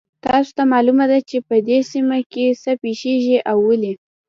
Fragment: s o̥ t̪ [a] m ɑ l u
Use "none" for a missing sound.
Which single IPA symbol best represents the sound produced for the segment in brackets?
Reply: a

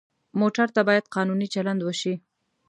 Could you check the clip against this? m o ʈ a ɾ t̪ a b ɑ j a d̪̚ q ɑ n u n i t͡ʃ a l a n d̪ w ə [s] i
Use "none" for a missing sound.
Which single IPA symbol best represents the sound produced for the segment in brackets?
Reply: ʃ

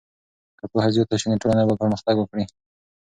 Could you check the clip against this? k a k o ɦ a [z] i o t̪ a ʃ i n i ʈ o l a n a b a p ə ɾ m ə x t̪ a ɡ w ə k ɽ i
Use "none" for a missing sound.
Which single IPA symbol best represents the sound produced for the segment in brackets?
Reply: z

